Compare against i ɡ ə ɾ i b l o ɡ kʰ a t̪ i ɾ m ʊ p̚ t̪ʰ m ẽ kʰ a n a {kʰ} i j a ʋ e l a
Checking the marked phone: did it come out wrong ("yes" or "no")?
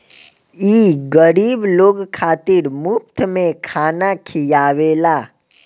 no